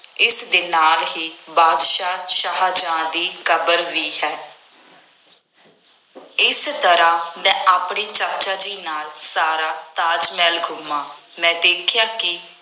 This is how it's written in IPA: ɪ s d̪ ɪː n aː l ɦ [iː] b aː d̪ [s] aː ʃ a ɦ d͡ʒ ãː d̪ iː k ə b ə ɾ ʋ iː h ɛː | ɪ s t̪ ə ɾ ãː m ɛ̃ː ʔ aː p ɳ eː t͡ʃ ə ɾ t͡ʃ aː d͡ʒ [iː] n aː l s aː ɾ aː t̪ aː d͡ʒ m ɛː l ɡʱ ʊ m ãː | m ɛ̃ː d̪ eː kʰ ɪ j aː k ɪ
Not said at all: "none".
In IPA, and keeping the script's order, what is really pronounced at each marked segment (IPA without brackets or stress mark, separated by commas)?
iː, ʃ, iː